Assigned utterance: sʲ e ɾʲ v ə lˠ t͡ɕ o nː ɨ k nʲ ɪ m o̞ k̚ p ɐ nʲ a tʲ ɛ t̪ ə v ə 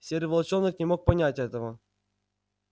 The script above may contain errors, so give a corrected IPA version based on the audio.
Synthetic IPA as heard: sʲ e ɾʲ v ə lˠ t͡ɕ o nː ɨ k nʲ ɪ m o̞ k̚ p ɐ nʲ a tʲ ɛ t̪ ə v ə